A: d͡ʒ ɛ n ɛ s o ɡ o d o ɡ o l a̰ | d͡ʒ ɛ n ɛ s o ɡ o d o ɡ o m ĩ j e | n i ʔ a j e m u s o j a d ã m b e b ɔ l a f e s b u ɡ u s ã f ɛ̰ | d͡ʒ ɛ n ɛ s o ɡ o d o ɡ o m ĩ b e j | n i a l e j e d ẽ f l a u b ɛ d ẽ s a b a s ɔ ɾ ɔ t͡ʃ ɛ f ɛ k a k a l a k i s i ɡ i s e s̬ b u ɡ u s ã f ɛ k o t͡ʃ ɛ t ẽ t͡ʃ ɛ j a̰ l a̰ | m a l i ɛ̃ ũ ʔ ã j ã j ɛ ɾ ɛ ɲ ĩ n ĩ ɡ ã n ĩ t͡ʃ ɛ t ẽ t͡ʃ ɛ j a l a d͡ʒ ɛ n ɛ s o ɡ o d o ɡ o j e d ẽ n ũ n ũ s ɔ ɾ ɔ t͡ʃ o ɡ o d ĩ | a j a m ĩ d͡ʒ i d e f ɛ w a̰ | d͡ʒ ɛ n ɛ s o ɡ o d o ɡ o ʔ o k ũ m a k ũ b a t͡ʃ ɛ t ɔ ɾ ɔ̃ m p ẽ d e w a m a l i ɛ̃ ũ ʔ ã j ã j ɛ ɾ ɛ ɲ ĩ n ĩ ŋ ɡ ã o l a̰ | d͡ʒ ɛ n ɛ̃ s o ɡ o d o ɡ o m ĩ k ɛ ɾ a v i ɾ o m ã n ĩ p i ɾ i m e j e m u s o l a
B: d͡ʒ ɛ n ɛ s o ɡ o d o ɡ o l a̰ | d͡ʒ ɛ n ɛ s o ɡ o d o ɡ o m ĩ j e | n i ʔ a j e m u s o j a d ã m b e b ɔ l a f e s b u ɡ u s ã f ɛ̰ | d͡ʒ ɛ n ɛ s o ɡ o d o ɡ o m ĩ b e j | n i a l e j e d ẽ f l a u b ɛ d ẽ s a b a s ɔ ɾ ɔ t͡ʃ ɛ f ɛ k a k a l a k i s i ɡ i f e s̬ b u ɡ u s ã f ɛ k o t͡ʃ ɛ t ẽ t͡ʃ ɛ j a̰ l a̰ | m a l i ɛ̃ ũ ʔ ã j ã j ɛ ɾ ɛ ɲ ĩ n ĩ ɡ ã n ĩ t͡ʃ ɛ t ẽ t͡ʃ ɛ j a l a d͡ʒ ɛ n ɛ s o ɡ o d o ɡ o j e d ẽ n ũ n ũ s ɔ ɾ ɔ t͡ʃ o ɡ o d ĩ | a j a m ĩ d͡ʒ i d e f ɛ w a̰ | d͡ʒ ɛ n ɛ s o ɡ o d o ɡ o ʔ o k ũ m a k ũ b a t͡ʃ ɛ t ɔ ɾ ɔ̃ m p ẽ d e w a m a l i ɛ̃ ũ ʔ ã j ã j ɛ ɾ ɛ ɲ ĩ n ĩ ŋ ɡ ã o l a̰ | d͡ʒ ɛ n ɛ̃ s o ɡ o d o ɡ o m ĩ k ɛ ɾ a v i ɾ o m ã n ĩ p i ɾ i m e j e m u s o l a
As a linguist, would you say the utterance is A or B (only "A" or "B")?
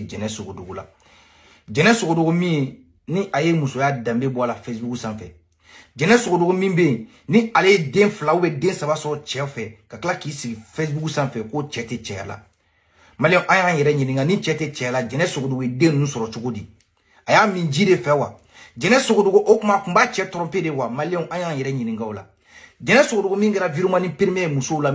B